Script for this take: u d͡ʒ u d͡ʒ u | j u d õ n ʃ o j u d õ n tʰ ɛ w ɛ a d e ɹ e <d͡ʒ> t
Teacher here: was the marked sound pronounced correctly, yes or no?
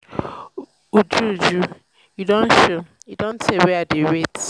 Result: no